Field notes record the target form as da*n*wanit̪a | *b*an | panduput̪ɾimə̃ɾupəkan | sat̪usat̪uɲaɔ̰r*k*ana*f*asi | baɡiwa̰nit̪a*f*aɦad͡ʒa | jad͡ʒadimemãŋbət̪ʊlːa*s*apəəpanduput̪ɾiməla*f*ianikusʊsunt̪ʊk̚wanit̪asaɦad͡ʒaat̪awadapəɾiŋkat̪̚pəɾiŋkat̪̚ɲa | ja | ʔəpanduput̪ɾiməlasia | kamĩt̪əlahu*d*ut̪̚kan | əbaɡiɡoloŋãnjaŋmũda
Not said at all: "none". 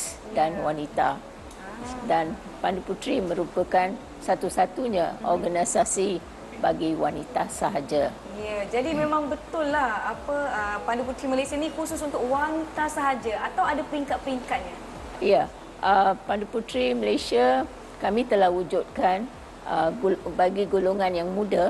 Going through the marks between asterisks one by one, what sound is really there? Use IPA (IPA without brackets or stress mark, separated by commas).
n, d, ɡ, s, s, h, s, d͡ʒ